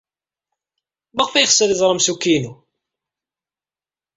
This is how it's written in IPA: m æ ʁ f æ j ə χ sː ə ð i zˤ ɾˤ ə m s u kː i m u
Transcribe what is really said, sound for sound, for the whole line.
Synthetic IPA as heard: m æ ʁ f æ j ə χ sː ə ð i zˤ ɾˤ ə m s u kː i n u